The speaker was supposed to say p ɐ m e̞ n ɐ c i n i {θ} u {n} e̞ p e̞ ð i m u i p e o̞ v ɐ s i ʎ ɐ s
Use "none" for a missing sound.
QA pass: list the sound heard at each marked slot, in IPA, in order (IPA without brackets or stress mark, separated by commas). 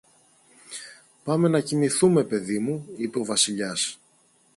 θ, m